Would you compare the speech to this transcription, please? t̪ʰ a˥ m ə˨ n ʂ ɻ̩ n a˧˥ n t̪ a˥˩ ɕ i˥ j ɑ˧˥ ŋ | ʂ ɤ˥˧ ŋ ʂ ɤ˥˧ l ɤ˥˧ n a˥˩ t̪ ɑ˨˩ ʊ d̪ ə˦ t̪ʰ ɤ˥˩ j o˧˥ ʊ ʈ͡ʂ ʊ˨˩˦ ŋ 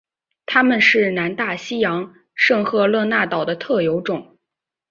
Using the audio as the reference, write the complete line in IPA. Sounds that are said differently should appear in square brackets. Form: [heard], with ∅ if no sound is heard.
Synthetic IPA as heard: t̪ʰ a˥ m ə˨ n ʂ ɻ̩ n a˧˥ n t̪ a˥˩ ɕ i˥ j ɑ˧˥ ŋ | ʂ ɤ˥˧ ŋ [x] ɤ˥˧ l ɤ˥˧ n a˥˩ t̪ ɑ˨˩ ʊ d̪ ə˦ t̪ʰ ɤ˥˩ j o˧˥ ʊ ʈ͡ʂ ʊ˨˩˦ ŋ